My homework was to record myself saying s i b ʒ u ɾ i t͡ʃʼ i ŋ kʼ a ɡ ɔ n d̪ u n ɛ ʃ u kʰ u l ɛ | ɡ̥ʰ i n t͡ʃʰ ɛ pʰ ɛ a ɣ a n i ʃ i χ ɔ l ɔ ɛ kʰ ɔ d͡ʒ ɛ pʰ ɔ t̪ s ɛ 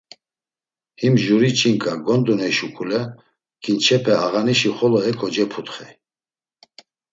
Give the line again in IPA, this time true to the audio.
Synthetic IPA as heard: h i m ʒ u ɾ i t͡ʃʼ i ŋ kʼ a ɡ ɔ n d̪ u n ɛ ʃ u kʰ u l ɛ | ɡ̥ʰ i n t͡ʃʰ ɛ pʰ ɛ a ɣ a n i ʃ i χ ɔ l ɔ ɛ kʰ ɔ d͡ʒ ɛ pʰ u t̪ χ ɛ